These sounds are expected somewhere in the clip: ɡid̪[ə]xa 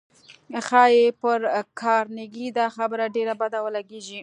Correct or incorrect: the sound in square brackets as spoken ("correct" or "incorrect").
incorrect